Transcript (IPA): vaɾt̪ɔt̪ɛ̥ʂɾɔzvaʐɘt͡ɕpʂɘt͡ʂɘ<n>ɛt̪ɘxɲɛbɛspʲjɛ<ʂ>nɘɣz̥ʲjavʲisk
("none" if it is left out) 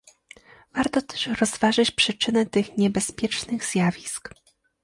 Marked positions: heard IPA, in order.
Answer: n, t͡ʂ

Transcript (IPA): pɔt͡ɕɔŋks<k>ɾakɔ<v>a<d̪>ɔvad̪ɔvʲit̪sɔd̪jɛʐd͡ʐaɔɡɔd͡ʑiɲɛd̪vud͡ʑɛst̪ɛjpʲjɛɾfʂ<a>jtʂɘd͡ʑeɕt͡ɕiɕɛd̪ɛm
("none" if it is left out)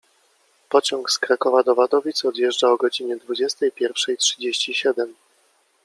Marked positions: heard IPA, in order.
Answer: k, v, d̪, ɛ

